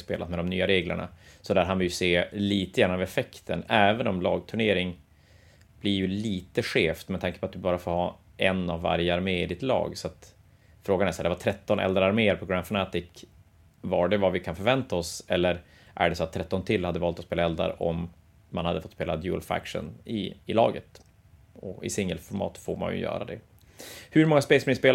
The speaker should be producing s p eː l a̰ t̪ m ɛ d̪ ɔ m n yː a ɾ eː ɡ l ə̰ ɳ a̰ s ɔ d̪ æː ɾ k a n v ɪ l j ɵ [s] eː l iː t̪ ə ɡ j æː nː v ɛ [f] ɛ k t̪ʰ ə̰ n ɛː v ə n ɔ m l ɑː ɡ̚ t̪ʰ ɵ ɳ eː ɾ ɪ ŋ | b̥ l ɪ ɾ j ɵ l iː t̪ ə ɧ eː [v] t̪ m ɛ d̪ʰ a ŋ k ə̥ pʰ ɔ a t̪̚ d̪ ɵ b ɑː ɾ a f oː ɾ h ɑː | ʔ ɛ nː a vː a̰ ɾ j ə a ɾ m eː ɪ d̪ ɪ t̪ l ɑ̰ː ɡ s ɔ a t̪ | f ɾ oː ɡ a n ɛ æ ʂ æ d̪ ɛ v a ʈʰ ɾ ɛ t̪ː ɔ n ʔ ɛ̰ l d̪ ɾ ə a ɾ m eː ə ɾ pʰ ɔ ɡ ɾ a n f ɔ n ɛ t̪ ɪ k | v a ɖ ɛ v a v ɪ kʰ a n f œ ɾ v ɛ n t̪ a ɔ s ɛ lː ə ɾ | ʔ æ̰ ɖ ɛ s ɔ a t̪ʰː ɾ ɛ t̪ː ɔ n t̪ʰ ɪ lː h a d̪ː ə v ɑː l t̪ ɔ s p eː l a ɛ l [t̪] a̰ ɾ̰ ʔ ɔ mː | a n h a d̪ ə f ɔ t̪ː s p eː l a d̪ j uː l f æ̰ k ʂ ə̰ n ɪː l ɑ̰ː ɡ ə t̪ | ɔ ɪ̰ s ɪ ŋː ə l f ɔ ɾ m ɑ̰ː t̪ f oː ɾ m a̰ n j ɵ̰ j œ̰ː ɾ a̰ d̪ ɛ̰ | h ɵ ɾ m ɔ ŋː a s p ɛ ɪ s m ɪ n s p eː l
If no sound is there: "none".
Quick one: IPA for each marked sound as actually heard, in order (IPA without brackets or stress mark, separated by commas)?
s, f, f, d̪